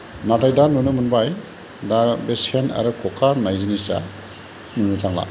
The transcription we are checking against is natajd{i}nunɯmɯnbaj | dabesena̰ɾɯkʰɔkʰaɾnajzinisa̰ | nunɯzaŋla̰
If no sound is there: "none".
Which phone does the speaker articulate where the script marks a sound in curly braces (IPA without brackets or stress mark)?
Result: a